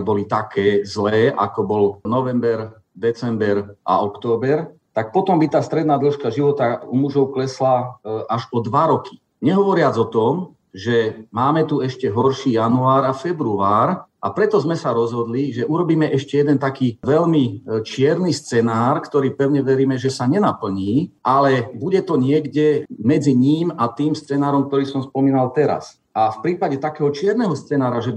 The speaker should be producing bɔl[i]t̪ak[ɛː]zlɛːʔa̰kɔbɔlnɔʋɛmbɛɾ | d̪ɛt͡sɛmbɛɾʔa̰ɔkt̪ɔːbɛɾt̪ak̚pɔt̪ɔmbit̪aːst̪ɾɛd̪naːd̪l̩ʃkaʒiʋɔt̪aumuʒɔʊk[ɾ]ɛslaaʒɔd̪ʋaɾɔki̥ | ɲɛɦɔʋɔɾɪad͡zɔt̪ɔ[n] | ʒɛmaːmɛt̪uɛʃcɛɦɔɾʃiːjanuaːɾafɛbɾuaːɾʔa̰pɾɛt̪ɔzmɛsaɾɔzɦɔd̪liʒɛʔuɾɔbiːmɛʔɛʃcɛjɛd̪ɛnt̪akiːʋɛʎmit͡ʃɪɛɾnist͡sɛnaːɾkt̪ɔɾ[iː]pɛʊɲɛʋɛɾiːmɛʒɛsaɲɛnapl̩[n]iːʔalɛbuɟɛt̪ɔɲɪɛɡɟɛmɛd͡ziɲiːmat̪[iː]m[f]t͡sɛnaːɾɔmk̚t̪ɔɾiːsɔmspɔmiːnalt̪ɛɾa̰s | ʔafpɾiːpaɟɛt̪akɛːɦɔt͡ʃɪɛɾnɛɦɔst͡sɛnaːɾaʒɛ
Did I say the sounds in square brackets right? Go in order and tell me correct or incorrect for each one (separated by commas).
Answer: correct, correct, incorrect, incorrect, correct, incorrect, correct, incorrect